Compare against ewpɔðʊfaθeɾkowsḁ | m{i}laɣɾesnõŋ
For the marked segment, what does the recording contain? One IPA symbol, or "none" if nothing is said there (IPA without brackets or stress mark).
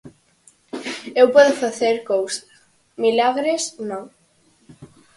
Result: i